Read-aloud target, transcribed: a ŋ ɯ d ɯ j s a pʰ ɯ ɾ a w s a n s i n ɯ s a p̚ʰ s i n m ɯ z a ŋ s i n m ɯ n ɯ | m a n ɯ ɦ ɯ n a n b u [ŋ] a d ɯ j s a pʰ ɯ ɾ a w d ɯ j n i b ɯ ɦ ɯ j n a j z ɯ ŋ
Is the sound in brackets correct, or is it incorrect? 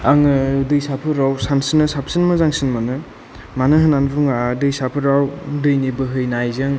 correct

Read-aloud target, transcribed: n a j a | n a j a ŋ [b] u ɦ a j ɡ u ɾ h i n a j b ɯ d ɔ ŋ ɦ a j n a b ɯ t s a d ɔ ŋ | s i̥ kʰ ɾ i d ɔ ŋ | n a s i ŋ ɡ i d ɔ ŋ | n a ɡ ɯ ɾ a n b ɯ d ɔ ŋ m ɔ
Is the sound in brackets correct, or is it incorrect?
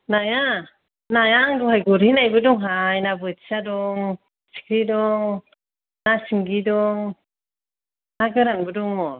incorrect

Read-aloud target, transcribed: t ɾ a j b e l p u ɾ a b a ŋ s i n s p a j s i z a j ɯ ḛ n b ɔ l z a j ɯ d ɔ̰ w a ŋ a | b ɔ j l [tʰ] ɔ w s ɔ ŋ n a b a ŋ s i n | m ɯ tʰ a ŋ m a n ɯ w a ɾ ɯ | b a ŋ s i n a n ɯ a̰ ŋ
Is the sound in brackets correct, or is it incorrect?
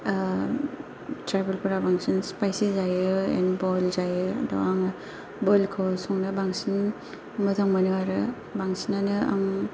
incorrect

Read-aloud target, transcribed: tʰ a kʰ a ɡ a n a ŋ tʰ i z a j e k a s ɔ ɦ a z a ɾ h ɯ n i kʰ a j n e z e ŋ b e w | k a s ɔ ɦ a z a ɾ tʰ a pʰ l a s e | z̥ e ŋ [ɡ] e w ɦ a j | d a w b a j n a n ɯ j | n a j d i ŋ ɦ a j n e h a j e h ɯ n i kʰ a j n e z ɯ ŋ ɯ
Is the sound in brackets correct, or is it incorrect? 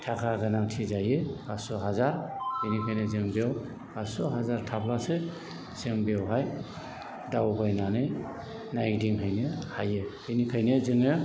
incorrect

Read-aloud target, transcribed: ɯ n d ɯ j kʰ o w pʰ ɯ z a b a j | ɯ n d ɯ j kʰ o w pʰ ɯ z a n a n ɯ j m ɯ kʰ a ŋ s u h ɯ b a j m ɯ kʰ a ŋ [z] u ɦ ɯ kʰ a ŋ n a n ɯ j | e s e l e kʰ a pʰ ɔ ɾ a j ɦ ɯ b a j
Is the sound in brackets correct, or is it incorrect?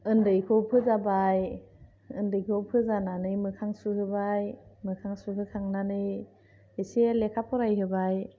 incorrect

